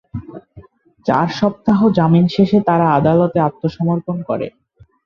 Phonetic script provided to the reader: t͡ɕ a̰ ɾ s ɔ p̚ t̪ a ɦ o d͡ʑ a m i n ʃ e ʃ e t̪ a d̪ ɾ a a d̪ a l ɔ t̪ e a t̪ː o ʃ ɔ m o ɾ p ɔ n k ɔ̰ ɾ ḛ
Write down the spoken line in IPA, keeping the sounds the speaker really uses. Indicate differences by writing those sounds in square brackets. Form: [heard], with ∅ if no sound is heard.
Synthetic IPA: t͡ɕ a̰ ɾ [ʃ] ɔ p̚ t̪ a ɦ o d͡ʑ a m i n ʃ e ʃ e t̪ a [∅] ɾ a a d̪ a l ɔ t̪ e a t̪ː o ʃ ɔ m o ɾ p [o] n k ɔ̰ ɾ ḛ

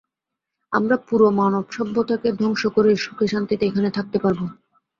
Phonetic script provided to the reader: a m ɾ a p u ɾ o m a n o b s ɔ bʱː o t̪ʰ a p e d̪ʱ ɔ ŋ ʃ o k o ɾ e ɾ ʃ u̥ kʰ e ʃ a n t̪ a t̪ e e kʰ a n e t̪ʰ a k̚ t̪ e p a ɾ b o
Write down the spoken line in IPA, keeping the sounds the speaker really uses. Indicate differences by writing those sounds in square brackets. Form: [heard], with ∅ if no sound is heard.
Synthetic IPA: a m ɾ a p u ɾ o m a n o b [ʃ] ɔ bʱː o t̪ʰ a [k] e d̪ʱ ɔ ŋ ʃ o k o ɾ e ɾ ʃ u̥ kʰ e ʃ a n t̪ [i] t̪ e e kʰ a n e t̪ʰ a k̚ t̪ e p a ɾ b o

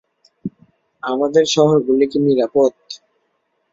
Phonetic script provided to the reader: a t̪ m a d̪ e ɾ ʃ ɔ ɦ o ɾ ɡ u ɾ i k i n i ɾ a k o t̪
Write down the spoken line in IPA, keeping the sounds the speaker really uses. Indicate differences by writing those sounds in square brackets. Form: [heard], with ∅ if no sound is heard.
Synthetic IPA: a [∅] m a d̪ e ɾ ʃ ɔ ɦ o ɾ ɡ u [l] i k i n i ɾ a [p] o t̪

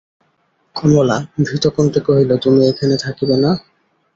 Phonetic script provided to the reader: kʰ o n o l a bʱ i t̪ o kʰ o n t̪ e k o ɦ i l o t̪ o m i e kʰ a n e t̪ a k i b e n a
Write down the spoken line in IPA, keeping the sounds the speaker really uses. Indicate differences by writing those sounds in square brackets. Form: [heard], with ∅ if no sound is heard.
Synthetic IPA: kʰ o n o l a bʱ i t̪ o [k] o n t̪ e k o ɦ i l o t̪ [u] m i e kʰ a n e [t̪ʰ] a k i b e n a

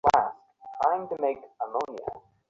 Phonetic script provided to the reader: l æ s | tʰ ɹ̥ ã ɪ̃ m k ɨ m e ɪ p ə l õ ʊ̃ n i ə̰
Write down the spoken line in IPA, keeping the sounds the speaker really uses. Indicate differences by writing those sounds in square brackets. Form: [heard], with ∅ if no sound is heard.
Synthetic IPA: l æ s | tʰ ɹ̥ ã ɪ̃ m [t] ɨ m e ɪ [k] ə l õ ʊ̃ n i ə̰

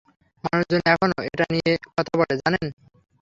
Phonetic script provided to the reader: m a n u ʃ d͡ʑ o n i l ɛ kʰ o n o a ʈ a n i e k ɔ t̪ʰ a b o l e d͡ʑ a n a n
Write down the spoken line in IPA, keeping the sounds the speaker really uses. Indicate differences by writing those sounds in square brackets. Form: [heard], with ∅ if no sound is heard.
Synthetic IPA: m a n u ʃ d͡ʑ o n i [∅] ɛ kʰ o n o [e] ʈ a n i e k ɔ t̪ʰ a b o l e d͡ʑ a n [e] n

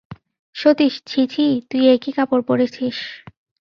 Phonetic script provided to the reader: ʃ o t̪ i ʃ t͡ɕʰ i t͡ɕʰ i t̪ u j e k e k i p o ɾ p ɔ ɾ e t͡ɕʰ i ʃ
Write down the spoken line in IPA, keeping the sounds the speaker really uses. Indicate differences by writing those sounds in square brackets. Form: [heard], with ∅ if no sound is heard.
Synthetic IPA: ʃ o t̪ i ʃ t͡ɕʰ i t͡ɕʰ i t̪ u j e k [i] k [a] p o ɾ p [o] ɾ e t͡ɕʰ i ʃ

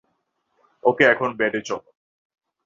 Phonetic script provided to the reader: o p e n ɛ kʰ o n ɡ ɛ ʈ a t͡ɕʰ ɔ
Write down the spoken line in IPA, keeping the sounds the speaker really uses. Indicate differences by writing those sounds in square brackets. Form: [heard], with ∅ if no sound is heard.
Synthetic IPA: o [k] e [∅] ɛ kʰ o n [b] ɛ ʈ [e] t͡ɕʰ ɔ

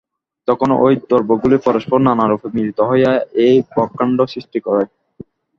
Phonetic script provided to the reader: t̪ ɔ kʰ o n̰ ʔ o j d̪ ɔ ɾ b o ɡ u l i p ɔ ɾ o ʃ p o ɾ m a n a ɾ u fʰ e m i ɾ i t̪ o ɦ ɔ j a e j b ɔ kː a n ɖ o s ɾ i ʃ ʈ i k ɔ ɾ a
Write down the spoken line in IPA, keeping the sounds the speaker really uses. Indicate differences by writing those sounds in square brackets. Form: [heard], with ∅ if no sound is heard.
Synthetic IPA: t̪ ɔ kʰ o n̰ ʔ o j d̪ ɔ ɾ b o ɡ u l i p ɔ ɾ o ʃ p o ɾ [n] a n a ɾ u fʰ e m i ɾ i t̪ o ɦ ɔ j a e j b ɔ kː a [ɳ] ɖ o s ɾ i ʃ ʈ i k ɔ ɾ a

